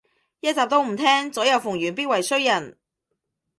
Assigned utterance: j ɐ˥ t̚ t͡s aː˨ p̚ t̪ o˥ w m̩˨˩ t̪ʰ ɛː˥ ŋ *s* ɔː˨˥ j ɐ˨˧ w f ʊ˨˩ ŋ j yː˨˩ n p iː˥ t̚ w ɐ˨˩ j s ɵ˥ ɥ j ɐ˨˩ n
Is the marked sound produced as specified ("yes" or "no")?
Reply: no